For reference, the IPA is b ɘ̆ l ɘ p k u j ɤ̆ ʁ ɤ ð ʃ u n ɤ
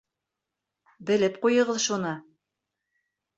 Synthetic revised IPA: b ɘ̆ l ɘ p q u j ɤ̆ ʁ ɤ ð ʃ u n ɤ